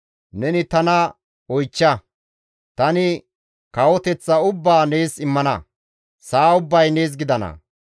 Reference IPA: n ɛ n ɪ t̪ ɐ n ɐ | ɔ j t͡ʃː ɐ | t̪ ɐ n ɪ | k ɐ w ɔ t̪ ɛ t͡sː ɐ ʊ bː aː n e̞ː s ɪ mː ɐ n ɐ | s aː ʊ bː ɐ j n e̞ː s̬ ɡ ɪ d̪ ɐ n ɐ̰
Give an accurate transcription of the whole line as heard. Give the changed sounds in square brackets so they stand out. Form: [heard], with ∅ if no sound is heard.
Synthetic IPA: n ɛ n ɪ t̪ ɐ n ɐ | ɔ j t͡ʃː ɐ | t̪ ɐ n ɪ | k ɐ w ɔ t̪ ɛ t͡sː ɐ ʊ bː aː n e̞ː s ɪ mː ɐ n ɐ | s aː ʊ bː ɐ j n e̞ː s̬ ɡ ɪ d̪ ɐ n ɐ̰